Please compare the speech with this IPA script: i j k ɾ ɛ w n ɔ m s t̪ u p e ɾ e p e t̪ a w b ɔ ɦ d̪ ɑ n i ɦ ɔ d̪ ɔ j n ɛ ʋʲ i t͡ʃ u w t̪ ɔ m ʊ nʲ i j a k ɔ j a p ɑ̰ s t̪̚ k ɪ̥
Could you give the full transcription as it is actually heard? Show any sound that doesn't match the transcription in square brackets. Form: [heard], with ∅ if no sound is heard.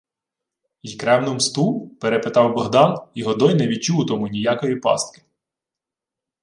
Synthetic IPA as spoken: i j k ɾ ɛ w n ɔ m s t̪ u p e ɾ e p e t̪ [ɑ] w b ɔ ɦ d̪ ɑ n i ɦ ɔ d̪ ɔ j n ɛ ʋʲ i t͡ʃ u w t̪ ɔ m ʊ nʲ i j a k ɔ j [i] p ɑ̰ s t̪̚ k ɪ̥